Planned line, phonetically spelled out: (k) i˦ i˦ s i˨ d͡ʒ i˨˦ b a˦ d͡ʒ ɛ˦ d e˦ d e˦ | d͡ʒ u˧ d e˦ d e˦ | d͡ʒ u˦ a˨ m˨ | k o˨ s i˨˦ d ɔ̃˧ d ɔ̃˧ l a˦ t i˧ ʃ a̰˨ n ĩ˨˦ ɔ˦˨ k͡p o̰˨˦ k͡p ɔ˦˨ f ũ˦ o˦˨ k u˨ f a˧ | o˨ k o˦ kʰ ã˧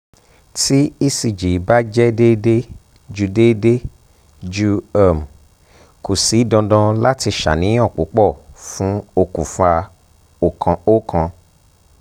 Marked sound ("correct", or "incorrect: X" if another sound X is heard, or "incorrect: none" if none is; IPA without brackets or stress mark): incorrect: t